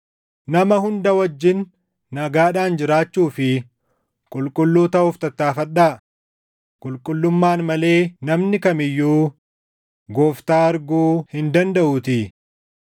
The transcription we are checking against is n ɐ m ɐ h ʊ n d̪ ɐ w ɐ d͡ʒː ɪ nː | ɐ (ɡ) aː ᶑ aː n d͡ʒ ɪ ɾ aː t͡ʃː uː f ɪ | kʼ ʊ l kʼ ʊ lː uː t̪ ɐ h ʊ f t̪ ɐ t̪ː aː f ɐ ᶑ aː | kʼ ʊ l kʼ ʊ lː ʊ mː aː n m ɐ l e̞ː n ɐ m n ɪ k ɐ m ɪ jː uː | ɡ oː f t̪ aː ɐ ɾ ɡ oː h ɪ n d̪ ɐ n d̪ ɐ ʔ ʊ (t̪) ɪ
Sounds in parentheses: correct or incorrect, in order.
correct, correct

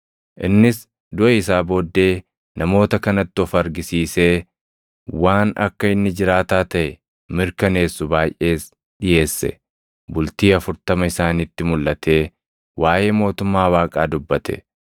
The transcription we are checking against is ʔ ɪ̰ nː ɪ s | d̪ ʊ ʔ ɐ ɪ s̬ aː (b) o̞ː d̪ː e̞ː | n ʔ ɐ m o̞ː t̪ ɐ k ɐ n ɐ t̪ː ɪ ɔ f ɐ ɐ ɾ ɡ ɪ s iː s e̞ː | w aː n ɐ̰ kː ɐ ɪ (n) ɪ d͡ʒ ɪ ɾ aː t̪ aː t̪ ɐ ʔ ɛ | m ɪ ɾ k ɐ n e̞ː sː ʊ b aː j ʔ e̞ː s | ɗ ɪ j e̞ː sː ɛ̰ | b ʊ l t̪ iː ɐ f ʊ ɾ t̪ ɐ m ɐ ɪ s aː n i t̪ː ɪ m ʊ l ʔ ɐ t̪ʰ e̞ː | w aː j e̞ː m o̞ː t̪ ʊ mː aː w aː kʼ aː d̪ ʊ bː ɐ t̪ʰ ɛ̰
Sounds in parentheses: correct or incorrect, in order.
correct, incorrect

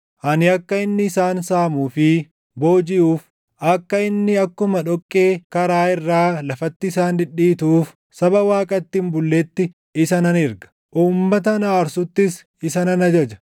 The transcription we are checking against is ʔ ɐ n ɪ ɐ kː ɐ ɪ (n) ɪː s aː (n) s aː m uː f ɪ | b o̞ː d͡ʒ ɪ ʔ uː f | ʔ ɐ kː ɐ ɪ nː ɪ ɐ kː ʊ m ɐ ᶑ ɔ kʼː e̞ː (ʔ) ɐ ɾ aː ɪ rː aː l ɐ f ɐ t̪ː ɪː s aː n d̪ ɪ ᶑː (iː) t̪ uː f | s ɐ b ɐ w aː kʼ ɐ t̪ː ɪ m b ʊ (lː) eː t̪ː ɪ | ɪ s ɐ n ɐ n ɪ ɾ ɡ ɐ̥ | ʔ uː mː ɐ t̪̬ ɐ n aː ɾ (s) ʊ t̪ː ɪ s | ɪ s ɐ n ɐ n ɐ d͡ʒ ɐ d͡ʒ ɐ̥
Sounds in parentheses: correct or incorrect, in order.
incorrect, correct, incorrect, correct, correct, correct

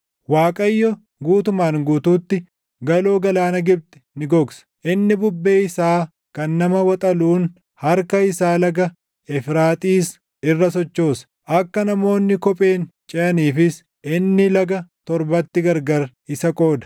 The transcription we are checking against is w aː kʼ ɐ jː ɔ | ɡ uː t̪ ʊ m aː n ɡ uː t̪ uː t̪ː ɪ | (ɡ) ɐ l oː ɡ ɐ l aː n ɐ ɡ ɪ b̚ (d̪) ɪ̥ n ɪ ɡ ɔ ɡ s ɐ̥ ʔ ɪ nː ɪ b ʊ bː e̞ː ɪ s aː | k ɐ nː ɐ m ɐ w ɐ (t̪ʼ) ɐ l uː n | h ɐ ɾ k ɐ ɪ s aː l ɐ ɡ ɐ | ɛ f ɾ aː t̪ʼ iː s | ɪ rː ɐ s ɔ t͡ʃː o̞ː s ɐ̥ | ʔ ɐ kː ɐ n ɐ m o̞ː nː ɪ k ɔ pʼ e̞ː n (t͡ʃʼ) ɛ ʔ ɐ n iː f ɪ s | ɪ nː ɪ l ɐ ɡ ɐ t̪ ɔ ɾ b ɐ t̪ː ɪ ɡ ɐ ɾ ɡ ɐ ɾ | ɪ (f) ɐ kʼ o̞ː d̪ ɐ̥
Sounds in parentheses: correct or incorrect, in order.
correct, incorrect, correct, correct, incorrect

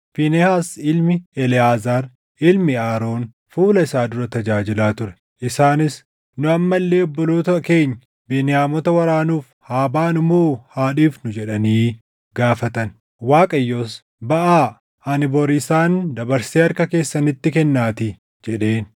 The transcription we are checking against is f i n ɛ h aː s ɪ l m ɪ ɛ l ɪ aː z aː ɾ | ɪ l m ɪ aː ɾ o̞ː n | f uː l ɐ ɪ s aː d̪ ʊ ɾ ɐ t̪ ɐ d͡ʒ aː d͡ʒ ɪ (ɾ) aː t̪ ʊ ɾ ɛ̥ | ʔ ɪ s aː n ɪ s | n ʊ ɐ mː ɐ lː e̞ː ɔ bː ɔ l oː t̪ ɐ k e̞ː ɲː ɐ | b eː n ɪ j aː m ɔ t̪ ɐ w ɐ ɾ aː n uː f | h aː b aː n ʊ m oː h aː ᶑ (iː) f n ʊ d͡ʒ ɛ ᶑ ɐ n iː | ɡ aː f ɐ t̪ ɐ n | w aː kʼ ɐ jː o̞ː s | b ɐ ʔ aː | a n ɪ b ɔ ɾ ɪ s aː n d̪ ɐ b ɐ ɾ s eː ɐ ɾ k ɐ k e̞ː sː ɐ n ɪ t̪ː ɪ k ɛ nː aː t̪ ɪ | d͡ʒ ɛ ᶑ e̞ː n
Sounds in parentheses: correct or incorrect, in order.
incorrect, correct

